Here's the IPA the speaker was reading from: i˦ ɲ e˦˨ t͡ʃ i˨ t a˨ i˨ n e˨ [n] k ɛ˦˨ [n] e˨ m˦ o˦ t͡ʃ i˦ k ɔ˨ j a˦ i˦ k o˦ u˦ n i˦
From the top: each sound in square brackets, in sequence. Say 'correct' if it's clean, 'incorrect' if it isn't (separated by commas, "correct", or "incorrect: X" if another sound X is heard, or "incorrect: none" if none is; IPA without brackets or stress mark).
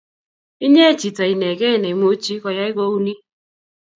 incorrect: none, correct